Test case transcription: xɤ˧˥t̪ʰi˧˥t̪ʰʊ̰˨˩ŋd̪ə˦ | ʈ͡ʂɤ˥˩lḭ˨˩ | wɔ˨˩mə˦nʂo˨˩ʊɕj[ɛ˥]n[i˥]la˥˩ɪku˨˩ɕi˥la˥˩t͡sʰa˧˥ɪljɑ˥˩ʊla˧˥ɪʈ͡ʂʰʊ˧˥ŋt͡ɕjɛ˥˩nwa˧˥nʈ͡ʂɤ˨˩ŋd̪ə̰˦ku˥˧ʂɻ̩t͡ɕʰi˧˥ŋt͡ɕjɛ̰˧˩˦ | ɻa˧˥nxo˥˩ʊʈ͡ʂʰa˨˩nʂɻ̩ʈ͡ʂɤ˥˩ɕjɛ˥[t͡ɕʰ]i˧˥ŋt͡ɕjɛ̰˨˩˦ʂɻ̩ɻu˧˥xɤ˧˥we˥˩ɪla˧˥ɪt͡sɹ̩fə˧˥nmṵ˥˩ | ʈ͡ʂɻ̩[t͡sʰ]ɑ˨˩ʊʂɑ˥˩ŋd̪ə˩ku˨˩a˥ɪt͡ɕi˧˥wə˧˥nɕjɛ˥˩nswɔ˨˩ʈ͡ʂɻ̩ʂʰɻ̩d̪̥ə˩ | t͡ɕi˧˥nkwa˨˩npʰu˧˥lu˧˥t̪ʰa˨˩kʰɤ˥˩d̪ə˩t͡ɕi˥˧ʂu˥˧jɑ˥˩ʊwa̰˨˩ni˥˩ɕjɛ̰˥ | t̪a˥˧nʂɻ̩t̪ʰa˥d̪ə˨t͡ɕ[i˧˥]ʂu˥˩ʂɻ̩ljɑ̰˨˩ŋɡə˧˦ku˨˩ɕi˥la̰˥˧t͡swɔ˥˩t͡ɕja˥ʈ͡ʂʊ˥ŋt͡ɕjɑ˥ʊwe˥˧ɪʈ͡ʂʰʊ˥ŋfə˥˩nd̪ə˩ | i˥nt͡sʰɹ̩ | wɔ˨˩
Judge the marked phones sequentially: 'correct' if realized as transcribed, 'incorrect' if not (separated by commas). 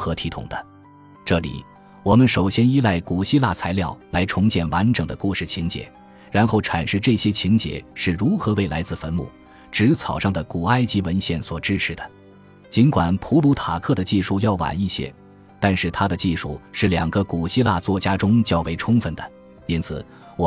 correct, correct, correct, correct, incorrect